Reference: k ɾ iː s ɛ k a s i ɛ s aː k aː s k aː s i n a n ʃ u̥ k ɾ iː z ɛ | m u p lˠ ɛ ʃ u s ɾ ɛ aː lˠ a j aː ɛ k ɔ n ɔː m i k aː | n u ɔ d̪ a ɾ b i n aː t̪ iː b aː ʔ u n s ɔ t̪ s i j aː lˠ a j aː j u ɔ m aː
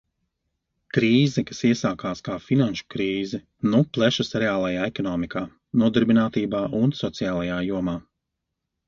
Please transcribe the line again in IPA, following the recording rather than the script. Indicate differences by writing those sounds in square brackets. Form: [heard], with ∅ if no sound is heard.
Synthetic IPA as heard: k ɾ iː [z] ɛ k a s i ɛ s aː k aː s k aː [f] i n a n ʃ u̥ k ɾ iː z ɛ | [n] u p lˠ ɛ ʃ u s ɾ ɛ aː lˠ a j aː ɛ k ɔ n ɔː m i k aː | n u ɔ d̪ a ɾ b i n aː t̪ iː b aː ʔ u n s ɔ t̪ s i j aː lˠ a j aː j u ɔ m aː